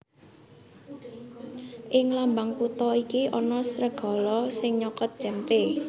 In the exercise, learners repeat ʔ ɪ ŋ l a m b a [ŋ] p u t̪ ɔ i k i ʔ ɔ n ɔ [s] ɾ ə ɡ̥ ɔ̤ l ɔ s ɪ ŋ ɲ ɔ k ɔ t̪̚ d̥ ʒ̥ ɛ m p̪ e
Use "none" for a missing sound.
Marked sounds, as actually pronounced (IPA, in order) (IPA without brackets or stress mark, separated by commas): ŋ, s